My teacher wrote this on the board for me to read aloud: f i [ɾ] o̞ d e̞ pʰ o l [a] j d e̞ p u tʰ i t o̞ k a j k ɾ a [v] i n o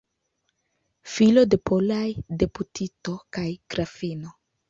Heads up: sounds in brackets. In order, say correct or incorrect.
incorrect: l, correct, incorrect: f

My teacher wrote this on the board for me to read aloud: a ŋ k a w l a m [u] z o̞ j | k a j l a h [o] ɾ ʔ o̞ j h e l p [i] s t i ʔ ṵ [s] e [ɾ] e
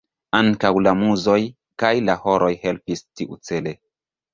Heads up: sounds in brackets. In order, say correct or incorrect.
correct, correct, correct, incorrect: t͡s, incorrect: l

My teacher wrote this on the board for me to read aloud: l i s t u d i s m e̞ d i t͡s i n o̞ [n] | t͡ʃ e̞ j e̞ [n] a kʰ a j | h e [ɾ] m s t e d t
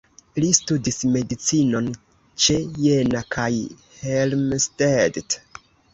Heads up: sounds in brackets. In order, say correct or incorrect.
correct, correct, incorrect: l

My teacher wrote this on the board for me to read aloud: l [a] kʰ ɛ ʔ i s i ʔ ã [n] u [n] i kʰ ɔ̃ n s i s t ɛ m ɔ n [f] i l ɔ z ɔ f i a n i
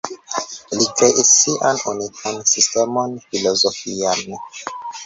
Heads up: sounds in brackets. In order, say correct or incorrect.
incorrect: i, correct, correct, correct

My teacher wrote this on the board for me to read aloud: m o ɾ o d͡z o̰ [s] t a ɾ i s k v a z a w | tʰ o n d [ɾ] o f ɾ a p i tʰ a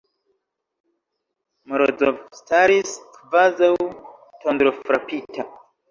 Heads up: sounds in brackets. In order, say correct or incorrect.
correct, correct

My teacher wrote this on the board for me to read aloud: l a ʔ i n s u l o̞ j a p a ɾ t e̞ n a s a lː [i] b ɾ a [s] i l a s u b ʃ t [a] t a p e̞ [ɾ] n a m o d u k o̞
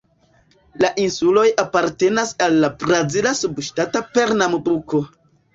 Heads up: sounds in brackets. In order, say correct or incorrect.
incorrect: a, incorrect: z, correct, correct

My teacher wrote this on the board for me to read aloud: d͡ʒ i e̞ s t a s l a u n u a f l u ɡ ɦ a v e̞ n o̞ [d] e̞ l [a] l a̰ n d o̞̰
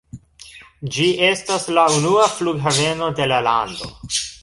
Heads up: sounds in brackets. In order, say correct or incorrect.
correct, correct

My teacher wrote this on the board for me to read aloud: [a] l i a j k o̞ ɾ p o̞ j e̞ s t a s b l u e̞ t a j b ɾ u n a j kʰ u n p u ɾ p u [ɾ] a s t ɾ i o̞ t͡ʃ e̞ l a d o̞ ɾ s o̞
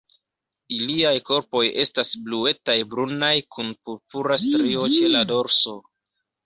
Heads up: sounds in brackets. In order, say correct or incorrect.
incorrect: i, correct

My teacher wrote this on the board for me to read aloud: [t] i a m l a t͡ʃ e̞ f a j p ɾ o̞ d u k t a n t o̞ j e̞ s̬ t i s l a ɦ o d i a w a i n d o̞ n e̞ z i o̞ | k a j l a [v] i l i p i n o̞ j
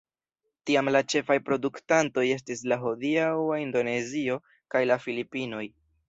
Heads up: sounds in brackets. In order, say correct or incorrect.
correct, incorrect: f

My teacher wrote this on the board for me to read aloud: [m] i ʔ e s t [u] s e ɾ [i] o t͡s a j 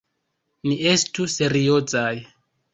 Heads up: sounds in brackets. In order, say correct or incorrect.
incorrect: n, correct, correct

